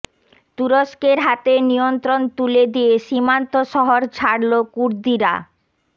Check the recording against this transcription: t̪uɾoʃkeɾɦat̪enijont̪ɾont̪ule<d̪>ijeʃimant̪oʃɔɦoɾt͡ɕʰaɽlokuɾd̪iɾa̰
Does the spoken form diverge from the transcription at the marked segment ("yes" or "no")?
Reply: no